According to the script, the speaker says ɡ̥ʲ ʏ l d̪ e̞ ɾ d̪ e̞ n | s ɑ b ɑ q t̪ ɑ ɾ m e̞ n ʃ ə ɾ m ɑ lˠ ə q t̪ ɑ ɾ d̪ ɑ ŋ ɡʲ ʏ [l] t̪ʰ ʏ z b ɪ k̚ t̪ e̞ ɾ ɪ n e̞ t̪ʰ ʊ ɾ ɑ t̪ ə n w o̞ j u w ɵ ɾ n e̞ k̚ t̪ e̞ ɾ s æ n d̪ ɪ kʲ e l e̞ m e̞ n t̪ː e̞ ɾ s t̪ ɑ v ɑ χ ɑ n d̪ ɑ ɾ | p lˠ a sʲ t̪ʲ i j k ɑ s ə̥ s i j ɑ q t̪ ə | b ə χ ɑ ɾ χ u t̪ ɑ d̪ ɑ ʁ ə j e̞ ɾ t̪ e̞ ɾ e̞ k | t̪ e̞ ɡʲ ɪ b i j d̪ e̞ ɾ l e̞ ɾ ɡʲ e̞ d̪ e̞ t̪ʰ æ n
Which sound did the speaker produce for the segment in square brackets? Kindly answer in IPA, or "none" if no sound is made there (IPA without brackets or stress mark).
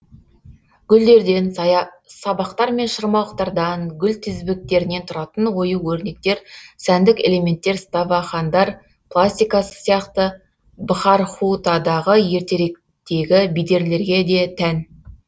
l